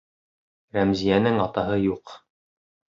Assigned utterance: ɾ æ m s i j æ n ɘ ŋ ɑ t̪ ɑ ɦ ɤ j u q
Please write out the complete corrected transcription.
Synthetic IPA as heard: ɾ æ m z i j æ n ɘ ŋ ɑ t̪ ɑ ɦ ɤ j u q